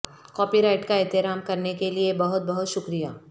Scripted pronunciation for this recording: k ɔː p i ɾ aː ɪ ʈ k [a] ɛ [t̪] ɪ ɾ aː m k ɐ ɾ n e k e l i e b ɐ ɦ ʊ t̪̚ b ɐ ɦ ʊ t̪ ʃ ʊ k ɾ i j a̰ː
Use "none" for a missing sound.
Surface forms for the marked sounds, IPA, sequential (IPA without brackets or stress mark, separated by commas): a, t̪